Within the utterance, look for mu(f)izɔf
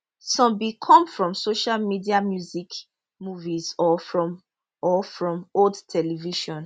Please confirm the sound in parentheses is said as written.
no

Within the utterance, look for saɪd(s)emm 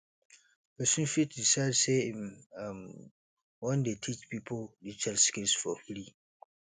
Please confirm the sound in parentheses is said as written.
yes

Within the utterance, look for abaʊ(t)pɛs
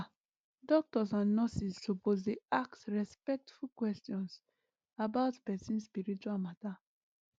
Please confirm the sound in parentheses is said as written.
yes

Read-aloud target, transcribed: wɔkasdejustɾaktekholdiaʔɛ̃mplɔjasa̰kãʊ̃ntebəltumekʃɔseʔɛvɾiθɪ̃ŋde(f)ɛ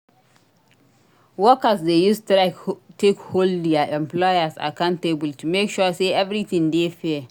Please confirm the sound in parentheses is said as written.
yes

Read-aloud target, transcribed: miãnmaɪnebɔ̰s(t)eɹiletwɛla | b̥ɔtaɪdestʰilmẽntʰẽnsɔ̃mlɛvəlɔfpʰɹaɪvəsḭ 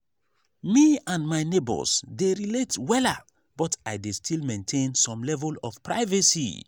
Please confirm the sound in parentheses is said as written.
no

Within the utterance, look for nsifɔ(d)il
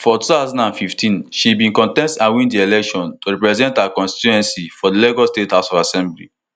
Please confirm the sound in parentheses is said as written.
yes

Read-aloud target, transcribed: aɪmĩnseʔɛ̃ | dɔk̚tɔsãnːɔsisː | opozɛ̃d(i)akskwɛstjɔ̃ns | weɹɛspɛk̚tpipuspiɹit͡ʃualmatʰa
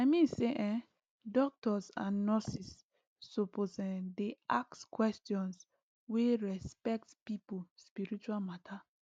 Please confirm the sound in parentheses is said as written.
no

